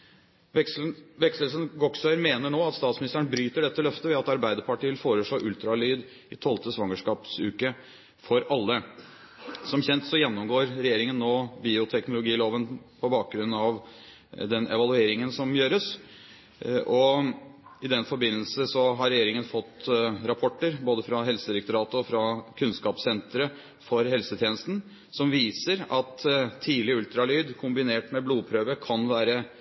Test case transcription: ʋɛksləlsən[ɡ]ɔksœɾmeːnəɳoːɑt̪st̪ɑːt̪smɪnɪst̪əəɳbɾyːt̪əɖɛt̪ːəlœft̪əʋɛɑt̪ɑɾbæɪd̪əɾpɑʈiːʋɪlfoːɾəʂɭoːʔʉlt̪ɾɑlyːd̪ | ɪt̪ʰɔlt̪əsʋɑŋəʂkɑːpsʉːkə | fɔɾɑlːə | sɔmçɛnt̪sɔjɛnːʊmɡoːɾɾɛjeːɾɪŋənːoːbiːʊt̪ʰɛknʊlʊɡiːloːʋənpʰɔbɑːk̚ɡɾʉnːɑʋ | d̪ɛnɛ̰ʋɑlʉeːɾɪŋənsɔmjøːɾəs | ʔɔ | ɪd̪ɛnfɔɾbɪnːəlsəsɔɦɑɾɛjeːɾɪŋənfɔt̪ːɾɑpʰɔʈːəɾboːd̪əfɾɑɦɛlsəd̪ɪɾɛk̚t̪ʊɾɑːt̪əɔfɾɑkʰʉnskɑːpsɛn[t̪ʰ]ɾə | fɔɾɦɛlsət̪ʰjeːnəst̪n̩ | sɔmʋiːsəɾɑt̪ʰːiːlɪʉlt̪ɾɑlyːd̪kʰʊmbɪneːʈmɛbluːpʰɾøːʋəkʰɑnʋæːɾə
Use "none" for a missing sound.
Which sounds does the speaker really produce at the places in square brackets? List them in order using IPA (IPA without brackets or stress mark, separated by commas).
ɡ, t̪